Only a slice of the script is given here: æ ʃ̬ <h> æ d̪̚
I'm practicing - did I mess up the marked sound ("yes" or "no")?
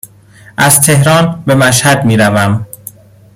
no